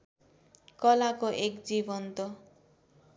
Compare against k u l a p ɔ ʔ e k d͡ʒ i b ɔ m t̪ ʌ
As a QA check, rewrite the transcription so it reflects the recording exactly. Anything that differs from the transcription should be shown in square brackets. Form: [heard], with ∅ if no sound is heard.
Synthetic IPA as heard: k [ɔ] l a [k] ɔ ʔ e k d͡ʒ i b ɔ [n] t̪ [ɔ]

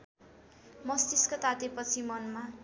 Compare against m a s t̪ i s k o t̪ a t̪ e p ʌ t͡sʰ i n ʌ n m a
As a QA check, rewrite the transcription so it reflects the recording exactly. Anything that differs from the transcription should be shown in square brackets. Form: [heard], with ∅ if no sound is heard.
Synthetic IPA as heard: m [ʌ] s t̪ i s k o t̪ a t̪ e p ʌ t͡sʰ i [m] ʌ n m a

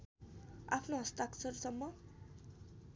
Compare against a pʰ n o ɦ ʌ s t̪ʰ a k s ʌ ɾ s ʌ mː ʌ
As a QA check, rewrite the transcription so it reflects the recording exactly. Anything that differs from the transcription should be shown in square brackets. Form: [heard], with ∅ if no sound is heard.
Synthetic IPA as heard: a pʰ n o ɦ ʌ s [t̪] a k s ʌ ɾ s ʌ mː ʌ

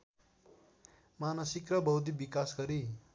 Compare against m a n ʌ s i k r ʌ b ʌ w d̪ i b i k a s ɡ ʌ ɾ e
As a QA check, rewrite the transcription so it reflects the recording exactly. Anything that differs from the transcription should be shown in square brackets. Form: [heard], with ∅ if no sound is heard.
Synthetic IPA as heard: m a n ʌ s i k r ʌ b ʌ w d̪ i b i k a s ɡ ʌ ɾ [i]

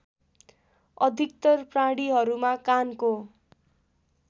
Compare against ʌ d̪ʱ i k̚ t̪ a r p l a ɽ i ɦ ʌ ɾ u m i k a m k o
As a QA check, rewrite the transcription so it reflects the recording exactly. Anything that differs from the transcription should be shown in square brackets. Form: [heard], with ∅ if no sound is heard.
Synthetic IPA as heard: ʌ d̪ʱ i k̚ t̪ [ʌ] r p [r] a ɽ i ɦ ʌ ɾ u m [a] k a [n] k o

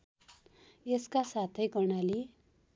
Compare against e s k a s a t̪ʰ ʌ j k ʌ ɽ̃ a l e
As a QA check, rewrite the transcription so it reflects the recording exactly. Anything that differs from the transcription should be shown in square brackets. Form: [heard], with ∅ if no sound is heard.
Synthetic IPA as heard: e s k a s a t̪ʰ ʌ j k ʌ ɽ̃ a l [i]

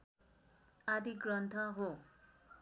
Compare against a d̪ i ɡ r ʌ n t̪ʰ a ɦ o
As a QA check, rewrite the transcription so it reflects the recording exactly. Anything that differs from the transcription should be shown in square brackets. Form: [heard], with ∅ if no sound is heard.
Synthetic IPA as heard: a d̪ i ɡ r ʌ n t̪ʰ [ʌ] ɦ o

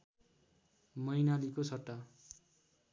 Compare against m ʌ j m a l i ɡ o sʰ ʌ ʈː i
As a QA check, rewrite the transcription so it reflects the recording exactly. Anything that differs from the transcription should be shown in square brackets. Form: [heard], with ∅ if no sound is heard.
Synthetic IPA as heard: m ʌ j [n] a l i [k] o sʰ ʌ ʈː [a]

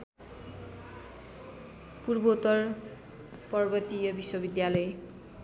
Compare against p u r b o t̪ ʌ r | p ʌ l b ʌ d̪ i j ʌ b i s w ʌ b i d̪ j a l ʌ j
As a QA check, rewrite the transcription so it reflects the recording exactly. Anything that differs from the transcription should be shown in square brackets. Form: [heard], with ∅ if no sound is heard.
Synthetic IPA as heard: p u r b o t̪ ʌ r | p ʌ [r] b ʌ [t̪] i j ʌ b i s w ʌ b i d̪ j a l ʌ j

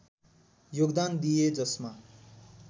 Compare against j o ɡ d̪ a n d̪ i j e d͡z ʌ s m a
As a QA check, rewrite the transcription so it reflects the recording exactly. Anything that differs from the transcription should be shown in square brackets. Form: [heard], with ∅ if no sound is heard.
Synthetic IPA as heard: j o ɡ d̪ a n d̪ i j e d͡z ʌ s m a

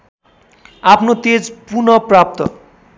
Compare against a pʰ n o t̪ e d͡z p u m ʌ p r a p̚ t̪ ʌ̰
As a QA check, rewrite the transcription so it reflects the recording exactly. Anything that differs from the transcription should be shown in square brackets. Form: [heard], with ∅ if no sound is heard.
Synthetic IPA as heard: a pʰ n o t̪ e d͡z p u [n] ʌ p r a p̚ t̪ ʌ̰

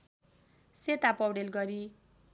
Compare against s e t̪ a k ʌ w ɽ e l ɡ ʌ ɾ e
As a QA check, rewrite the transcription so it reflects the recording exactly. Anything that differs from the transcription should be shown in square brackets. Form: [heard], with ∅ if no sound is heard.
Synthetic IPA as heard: s e t̪ a [p] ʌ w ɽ e l ɡ ʌ ɾ [i]

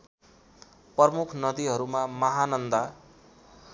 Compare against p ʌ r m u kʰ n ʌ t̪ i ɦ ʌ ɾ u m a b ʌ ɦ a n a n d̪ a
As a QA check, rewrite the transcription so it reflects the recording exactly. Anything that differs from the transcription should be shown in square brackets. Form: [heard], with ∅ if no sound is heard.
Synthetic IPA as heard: p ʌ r m u kʰ n ʌ [d̪] i ɦ ʌ ɾ u m a [m] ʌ ɦ a n [ʌ] n d̪ a

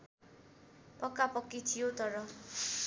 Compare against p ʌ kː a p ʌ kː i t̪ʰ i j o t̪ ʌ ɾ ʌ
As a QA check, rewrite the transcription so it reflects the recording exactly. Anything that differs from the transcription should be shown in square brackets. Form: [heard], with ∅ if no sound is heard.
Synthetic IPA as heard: p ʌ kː a p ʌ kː i t̪ʰ i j o t̪ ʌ ɾ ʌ

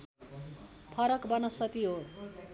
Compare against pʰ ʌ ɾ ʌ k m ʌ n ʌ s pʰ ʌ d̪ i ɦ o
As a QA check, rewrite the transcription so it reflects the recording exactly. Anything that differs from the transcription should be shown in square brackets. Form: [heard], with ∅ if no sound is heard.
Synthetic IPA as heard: pʰ ʌ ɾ ʌ k [b] ʌ n ʌ s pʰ ʌ [t̪] i ɦ o

